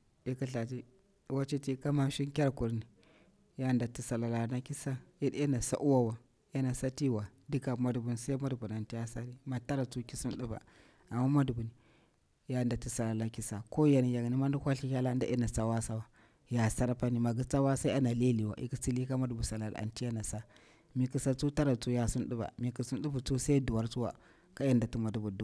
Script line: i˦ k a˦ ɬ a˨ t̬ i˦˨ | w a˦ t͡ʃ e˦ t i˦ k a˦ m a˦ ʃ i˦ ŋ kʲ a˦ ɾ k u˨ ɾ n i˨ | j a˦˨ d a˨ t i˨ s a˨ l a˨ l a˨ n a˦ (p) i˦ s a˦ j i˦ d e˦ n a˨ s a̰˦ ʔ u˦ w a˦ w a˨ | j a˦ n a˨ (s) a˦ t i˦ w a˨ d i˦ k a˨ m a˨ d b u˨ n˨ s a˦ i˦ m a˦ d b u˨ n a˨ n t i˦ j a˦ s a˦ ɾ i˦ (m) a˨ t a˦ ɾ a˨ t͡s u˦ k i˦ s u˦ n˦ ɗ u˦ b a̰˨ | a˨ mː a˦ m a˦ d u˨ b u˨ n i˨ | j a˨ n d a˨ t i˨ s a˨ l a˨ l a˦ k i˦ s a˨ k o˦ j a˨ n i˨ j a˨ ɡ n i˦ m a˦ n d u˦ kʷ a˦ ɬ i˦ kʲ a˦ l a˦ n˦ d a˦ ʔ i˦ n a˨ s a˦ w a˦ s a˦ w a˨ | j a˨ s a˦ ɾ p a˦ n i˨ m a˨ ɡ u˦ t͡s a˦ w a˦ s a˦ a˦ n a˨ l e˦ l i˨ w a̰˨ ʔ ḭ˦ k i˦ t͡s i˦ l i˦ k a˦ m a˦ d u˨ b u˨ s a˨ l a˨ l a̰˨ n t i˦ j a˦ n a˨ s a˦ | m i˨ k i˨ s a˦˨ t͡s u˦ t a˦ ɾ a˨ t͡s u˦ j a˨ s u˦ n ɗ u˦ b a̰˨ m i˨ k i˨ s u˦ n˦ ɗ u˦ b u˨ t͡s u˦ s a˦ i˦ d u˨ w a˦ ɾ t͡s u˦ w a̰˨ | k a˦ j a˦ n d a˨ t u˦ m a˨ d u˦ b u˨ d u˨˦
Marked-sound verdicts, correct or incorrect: incorrect: k, correct, correct

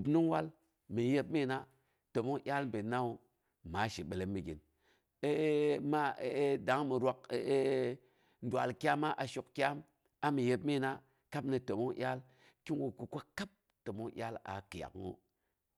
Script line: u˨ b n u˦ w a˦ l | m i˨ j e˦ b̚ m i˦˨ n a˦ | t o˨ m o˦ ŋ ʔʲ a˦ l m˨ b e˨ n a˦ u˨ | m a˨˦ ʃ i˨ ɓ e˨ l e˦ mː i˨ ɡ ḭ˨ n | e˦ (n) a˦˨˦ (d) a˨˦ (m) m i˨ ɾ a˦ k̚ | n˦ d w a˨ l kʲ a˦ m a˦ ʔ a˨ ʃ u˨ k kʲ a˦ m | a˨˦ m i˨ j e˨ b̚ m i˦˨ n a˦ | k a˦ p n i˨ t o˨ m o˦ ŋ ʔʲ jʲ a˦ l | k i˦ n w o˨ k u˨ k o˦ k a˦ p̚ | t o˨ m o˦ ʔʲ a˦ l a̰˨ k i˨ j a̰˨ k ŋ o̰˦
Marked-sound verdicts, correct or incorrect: incorrect: m, correct, incorrect: ŋ

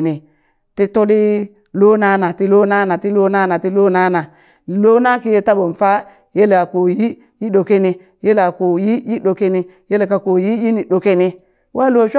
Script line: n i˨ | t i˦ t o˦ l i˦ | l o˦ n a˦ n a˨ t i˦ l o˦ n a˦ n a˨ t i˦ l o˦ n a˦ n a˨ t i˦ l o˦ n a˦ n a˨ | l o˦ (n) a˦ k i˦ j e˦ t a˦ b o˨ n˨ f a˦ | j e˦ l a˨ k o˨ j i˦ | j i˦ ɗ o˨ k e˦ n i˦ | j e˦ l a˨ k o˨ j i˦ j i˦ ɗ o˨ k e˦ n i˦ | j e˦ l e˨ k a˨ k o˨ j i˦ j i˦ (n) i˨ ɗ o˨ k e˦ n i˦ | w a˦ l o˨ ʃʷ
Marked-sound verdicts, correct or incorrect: correct, correct

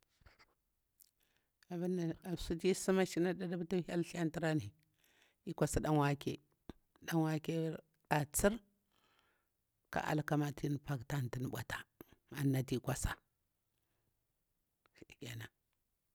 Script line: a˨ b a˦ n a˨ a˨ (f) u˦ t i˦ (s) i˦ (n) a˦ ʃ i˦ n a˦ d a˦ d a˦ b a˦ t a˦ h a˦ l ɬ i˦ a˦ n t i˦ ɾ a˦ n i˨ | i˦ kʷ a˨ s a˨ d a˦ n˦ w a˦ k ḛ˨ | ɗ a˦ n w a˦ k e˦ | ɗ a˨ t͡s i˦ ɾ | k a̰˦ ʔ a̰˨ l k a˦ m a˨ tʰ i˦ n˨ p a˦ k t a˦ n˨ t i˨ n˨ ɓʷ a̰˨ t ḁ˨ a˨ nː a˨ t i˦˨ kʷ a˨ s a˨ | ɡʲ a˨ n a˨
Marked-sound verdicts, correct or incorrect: incorrect: s, correct, incorrect: m

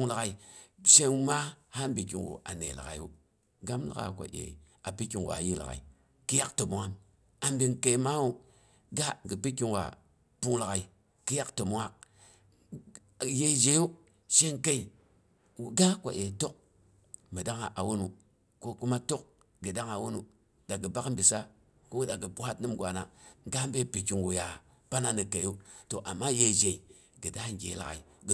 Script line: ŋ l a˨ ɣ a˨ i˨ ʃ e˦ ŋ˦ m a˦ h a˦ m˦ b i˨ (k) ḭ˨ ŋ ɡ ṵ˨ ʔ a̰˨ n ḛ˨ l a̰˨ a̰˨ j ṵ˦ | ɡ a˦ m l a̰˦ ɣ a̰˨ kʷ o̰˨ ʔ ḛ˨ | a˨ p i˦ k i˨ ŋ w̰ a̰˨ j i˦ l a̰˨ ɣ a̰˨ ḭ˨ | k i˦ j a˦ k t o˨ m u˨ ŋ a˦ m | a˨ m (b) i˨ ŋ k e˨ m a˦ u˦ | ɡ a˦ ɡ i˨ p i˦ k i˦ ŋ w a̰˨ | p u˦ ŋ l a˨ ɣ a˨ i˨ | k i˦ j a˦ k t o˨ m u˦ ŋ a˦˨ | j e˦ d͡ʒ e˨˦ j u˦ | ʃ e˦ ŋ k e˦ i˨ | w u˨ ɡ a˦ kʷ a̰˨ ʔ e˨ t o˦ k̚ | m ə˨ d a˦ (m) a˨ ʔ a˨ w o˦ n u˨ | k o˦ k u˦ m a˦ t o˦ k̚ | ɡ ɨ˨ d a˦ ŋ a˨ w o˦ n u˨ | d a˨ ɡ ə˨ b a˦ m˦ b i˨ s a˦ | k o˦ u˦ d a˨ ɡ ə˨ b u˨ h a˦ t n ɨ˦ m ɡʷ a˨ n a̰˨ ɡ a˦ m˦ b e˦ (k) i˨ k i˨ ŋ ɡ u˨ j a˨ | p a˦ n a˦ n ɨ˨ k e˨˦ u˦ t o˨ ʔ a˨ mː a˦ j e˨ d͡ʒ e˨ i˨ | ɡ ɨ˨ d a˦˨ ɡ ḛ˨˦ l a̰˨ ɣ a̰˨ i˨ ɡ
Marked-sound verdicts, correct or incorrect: correct, correct, incorrect: ŋ, incorrect: p

